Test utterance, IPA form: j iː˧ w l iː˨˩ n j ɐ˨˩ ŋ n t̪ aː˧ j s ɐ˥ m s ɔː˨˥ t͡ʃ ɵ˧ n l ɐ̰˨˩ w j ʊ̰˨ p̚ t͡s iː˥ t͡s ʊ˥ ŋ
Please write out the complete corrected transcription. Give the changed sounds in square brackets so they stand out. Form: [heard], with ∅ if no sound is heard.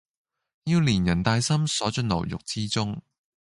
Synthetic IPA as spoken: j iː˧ w l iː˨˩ n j ɐ˨˩ [∅] n t̪ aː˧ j s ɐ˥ m s ɔː˨˥ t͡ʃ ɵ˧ n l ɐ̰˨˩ w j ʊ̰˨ [k̚] t͡s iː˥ t͡s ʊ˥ ŋ